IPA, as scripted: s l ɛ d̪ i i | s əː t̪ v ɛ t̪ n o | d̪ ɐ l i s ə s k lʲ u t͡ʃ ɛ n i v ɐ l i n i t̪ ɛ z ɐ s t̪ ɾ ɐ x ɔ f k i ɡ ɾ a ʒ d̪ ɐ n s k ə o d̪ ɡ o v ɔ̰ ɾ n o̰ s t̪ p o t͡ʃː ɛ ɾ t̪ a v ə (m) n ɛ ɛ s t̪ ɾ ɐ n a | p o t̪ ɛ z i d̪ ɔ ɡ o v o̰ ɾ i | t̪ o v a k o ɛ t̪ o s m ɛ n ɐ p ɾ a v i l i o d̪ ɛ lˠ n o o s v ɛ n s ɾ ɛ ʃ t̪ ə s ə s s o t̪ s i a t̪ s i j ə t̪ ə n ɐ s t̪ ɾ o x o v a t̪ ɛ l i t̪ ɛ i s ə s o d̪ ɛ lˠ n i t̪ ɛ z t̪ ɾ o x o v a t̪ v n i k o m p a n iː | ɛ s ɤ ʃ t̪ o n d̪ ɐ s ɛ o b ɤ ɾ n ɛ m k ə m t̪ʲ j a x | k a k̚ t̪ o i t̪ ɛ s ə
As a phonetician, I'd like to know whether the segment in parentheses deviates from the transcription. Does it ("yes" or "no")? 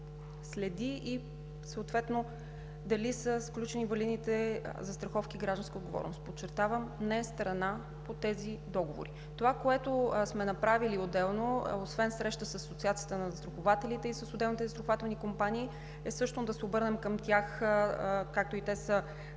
no